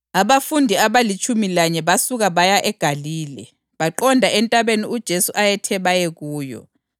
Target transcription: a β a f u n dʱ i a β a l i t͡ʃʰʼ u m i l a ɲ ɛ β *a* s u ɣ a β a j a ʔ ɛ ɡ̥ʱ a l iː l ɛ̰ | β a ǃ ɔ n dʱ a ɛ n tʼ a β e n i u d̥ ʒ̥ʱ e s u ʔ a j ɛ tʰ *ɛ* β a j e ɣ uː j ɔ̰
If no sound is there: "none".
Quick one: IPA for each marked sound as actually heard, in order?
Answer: a, ɛ

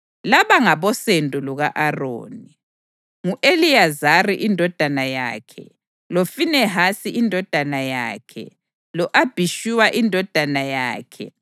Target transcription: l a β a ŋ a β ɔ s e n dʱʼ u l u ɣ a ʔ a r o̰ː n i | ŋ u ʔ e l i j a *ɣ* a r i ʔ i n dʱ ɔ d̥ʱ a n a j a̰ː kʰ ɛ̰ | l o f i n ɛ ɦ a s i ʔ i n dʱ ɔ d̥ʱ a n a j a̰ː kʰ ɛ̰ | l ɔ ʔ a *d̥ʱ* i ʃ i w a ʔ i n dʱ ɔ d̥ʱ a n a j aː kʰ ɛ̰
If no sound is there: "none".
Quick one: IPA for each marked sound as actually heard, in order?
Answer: z, b̥ʱ

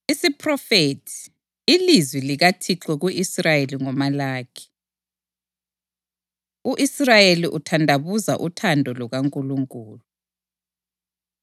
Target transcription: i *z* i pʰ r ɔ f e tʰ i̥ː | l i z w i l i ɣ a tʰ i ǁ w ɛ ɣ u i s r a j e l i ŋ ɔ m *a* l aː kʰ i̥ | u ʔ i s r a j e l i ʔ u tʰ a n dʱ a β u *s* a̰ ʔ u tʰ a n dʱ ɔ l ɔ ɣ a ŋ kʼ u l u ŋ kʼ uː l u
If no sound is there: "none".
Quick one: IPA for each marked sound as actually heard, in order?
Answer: s, a, z

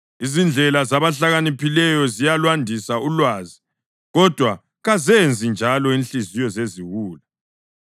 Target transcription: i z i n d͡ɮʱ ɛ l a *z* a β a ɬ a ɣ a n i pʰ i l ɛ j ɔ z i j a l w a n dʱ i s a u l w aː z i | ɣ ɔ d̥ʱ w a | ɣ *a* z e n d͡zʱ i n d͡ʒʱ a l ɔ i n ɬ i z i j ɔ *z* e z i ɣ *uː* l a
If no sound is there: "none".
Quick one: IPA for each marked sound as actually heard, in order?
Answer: z, a, z, uː

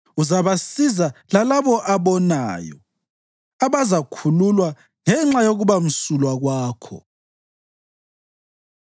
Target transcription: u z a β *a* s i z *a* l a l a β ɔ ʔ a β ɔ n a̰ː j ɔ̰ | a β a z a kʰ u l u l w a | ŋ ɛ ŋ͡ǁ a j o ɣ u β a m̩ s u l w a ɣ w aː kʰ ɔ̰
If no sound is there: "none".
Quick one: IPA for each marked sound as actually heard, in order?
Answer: a, a

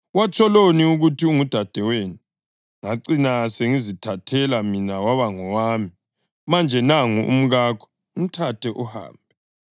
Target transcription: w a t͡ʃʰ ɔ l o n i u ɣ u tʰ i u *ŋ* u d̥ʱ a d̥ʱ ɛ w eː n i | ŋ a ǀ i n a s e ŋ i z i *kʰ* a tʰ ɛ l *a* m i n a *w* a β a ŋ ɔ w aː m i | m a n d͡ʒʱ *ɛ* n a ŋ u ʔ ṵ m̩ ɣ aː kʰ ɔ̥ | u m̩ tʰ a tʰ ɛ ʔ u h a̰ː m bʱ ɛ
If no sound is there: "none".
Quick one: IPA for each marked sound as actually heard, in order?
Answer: ŋ, tʰ, a, w, ɛ

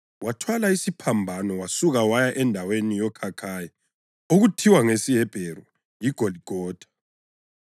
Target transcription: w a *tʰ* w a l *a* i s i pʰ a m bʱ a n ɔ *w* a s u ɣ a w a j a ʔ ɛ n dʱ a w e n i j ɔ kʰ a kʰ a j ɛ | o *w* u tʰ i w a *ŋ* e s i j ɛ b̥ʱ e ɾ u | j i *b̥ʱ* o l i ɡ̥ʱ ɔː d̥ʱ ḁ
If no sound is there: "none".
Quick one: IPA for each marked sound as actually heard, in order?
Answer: tʰ, a, w, ɣ, ŋ, ɡ̥ʱ

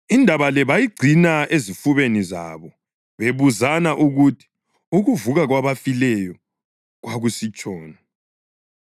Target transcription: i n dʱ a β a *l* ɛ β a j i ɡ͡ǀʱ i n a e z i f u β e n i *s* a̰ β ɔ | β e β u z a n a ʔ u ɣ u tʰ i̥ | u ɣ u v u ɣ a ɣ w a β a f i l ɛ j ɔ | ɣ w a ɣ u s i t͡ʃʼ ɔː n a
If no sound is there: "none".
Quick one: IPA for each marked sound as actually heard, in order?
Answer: l, z

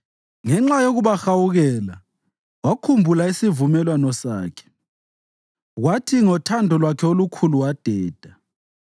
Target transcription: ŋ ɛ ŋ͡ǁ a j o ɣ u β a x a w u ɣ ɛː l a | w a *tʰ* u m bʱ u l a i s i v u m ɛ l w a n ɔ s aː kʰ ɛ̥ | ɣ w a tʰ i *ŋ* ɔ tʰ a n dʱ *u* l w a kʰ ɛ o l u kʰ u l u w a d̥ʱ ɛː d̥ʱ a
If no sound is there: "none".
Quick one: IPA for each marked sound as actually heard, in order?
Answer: kʰ, ŋ, ɔ

